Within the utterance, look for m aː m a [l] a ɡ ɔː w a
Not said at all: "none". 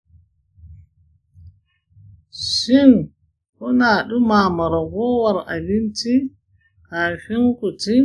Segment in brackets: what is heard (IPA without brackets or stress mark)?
ɾ